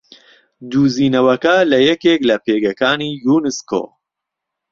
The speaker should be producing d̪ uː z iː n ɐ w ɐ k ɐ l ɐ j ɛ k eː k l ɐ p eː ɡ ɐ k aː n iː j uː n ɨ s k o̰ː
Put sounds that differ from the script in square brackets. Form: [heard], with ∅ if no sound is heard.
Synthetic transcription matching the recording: d̪ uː z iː n ɐ w ɐ k ɐ l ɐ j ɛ k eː k l ɐ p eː ɡ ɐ k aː n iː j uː n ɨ s k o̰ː